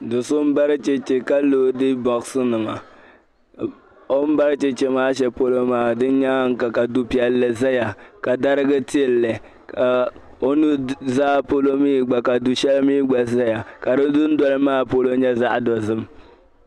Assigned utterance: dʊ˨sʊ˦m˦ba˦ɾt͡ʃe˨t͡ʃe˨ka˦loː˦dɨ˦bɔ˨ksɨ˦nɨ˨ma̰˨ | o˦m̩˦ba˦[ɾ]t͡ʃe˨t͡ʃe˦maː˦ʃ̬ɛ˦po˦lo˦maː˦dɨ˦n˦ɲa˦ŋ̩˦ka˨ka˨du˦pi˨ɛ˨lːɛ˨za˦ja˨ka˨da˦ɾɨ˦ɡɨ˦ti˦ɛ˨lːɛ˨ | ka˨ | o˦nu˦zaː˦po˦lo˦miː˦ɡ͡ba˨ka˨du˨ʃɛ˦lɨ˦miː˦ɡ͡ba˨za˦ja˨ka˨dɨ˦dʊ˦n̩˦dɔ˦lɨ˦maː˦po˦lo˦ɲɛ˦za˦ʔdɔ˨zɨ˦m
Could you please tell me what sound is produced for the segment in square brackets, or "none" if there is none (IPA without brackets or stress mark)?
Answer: ɾ